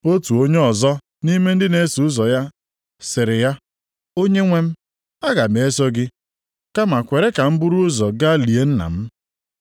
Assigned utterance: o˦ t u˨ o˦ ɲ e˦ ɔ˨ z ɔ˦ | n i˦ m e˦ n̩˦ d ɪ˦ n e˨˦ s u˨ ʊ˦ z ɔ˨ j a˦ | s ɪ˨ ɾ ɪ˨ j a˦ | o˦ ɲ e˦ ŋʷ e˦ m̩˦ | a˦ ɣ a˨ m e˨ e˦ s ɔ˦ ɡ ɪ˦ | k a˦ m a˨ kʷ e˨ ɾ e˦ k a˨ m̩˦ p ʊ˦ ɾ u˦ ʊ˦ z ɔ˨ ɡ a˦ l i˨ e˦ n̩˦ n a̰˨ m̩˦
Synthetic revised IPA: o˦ t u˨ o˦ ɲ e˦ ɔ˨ z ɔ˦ | n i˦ m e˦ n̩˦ d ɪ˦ n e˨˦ s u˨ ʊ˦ z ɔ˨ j a˦ | s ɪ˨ ɾ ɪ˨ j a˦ | o˦ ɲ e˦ ŋʷ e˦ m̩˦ | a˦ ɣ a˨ m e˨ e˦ s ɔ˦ ɡ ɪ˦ | k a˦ m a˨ kʷ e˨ ɾ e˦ k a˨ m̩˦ b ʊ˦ ɾ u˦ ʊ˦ z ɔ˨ ɡ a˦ l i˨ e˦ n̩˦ n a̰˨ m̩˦